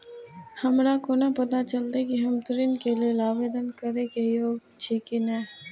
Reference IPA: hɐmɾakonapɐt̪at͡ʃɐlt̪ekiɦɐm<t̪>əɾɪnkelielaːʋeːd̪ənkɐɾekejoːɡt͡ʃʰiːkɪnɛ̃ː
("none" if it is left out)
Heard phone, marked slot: t̪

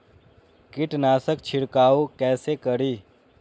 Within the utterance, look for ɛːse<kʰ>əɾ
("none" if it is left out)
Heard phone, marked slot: k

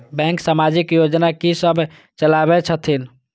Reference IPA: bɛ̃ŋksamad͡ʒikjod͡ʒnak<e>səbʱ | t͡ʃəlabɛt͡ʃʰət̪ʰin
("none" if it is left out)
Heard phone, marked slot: i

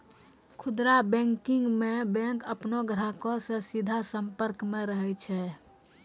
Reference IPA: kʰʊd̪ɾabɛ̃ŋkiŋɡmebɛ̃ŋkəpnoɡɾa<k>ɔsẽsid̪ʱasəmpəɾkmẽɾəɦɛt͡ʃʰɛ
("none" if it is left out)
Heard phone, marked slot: k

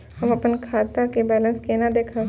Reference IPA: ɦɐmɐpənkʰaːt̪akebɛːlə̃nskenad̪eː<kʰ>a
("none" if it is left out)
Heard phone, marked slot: kʰ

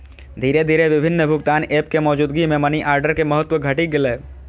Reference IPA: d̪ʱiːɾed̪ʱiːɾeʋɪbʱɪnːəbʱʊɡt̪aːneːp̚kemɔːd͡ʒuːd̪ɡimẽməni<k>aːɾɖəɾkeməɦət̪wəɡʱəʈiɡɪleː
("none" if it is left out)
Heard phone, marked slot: ʔ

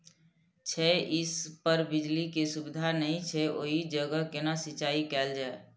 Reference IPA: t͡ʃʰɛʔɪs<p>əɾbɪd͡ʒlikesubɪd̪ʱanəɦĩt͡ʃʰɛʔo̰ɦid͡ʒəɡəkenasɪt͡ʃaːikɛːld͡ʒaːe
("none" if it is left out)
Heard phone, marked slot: p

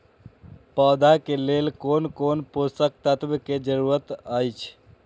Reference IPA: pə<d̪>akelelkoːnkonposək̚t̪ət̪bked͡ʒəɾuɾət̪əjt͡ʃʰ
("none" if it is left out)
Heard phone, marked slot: d̪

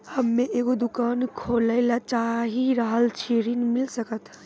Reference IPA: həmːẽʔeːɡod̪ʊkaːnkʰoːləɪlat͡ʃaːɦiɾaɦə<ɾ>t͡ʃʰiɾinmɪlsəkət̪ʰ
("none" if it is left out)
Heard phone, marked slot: l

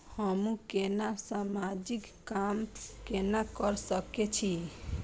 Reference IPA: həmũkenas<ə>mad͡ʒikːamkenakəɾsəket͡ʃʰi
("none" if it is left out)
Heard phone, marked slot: a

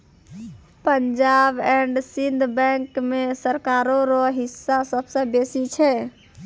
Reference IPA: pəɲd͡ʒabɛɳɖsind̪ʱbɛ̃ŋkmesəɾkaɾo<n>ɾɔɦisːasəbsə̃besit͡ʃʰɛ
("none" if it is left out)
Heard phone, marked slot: none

